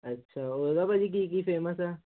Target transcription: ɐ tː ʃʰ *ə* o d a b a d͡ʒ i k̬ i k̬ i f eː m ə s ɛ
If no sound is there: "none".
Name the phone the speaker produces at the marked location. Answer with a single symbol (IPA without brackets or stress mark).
a